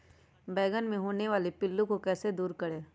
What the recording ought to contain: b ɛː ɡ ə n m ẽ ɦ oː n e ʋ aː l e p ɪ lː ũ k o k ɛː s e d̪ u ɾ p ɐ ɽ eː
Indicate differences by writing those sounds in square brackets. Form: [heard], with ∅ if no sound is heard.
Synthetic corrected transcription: b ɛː ɡ ə n m ẽ ɦ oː n e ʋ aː l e p ɪ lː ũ k o k ɛː s e d̪ [uː] ɾ [k] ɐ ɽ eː